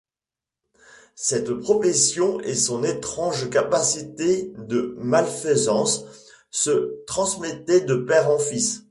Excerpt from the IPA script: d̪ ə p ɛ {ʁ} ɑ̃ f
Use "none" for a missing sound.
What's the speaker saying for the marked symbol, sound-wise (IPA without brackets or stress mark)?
ʁ